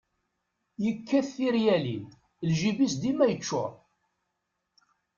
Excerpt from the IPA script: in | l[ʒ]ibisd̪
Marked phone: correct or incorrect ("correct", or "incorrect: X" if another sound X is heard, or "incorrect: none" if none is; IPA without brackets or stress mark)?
correct